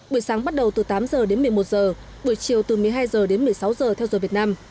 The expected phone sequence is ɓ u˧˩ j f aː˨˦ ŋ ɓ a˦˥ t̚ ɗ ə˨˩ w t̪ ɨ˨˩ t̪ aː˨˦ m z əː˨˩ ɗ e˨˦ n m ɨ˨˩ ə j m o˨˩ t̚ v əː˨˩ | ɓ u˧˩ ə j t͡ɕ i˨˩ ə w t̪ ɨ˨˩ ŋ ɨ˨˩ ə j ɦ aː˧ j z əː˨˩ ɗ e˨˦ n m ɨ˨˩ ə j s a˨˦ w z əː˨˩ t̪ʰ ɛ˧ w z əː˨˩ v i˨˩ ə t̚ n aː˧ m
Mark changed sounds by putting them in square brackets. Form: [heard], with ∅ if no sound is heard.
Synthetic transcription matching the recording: ɓ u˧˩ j [s] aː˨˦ ŋ ɓ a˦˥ t̚ ɗ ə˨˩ w t̪ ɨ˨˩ t̪ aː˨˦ m z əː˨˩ ɗ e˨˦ n m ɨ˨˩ ə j m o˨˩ t̚ [z] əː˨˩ | ɓ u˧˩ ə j t͡ɕ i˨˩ ə w t̪ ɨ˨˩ [m] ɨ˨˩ ə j ɦ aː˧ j z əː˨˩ ɗ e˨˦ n m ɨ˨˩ ə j s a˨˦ w z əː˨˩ t̪ʰ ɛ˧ w z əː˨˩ v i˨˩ ə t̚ n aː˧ m

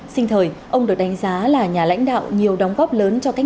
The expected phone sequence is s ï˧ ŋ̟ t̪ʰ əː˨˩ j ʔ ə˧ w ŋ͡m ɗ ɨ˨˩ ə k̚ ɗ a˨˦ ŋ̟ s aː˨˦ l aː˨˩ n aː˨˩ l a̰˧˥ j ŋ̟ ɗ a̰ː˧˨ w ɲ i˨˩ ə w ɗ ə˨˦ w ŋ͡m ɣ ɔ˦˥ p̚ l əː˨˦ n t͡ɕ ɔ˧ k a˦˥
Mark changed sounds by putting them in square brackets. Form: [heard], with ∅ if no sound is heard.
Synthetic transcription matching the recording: s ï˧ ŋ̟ t̪ʰ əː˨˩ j ʔ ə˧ w ŋ͡m ɗ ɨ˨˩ ə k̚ ɗ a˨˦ ŋ̟ [z] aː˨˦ l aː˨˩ [ɲ] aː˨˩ l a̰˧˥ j ŋ̟ ɗ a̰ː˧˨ w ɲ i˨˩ ə w ɗ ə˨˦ w ŋ͡m ɣ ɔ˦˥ p̚ l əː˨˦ n t͡ɕ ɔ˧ k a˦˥

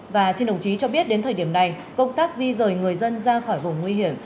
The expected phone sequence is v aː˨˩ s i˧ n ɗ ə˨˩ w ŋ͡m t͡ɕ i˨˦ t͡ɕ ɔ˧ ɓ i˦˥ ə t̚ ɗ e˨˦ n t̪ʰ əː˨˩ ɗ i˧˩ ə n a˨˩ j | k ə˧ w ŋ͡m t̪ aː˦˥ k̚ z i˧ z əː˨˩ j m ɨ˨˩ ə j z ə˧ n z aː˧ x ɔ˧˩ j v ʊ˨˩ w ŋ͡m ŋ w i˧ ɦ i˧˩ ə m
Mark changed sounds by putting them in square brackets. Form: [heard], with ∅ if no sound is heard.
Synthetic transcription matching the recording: v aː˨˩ s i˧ n ɗ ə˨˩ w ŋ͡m t͡ɕ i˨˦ t͡ɕ ɔ˧ ɓ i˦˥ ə t̚ ɗ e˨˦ n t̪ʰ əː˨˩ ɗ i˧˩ ə n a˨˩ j | k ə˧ w ŋ͡m t̪ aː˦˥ k̚ z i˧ z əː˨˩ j [ŋ] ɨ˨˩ ə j z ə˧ n z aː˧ x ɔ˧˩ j v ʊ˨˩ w ŋ͡m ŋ w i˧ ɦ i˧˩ ə m

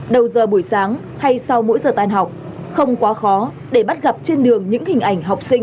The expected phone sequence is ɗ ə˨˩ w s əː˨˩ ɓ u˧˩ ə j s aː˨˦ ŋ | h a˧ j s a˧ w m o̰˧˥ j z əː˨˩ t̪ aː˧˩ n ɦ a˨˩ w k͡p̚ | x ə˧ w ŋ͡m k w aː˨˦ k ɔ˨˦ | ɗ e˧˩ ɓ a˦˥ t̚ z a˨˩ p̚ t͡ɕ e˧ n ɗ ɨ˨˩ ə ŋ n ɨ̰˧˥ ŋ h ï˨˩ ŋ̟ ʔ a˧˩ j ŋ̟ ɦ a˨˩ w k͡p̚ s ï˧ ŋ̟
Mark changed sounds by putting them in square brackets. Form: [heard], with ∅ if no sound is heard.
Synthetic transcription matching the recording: ɗ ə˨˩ w [z] əː˨˩ ɓ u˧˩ ə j s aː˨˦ ŋ | h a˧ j s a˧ w m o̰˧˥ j z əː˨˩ t̪ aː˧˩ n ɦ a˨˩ w k͡p̚ | x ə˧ w ŋ͡m k w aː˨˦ [x] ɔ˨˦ | ɗ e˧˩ ɓ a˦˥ t̚ [ɣ] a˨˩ p̚ t͡ɕ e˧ n ɗ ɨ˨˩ ə ŋ [ɲ] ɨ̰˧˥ ŋ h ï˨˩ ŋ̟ ʔ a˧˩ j ŋ̟ ɦ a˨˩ w k͡p̚ s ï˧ ŋ̟

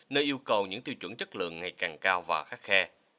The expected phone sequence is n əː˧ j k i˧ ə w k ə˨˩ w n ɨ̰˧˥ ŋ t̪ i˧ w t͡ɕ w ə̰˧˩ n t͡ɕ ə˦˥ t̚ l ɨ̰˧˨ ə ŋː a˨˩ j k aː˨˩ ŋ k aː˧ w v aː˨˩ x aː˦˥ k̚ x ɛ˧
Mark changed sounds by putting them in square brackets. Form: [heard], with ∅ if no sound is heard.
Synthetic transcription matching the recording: n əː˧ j [ʔ] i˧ ə w k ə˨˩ w [ɲ] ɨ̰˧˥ ŋ t̪ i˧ w t͡ɕ w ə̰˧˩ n t͡ɕ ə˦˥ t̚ l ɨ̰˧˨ ə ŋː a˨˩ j k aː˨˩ ŋ k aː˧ w v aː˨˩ x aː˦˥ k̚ x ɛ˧

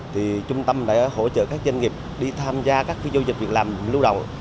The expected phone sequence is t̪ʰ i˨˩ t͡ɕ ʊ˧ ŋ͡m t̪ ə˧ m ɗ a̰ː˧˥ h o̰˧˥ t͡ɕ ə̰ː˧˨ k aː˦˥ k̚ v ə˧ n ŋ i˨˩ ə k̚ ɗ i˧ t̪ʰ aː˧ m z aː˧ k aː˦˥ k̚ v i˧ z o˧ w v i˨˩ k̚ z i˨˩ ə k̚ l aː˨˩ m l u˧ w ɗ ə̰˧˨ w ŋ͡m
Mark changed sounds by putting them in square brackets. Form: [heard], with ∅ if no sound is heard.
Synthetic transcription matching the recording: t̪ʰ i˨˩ t͡ɕ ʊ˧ ŋ͡m t̪ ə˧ m ɗ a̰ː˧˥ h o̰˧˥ t͡ɕ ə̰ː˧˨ k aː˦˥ k̚ [z] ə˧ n ŋ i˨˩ ə [p̚] ɗ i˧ t̪ʰ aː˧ m z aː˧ k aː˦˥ k̚ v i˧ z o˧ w [z] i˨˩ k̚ [v] i˨˩ ə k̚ l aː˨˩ m l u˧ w ɗ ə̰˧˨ w ŋ͡m

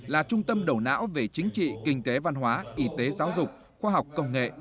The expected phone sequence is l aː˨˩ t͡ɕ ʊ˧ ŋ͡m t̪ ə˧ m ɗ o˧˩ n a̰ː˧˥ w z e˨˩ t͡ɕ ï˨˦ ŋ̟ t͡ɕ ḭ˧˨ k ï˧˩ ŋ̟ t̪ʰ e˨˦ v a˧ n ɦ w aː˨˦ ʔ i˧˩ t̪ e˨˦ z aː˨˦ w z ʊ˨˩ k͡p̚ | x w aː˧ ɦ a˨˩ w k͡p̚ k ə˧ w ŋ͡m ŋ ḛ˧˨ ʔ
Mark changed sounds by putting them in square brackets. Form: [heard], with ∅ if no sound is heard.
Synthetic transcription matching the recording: l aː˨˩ t͡ɕ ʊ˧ ŋ͡m t̪ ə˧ m ɗ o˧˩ n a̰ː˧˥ w [v] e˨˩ t͡ɕ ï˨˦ ŋ̟ t͡ɕ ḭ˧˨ k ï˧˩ ŋ̟ [t̪] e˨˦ v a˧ n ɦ w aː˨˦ ʔ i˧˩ t̪ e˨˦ z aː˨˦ w z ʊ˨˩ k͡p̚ | x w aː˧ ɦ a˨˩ w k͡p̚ k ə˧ w ŋ͡m ŋ ḛ˧˨ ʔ

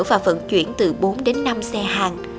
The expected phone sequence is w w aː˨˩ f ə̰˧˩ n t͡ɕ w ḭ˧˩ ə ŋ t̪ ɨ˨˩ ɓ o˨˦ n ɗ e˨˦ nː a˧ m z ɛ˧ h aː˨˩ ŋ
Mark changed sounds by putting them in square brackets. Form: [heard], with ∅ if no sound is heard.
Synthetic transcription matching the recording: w [v] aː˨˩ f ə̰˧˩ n t͡ɕ w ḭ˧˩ ə [n] t̪ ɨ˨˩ ɓ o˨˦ n ɗ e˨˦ nː a˧ m [s] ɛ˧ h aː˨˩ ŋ

